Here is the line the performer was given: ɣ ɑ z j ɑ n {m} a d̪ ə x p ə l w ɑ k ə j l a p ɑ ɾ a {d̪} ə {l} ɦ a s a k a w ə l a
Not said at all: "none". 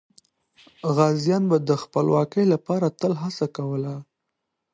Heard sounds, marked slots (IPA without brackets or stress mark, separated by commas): b, t̪, l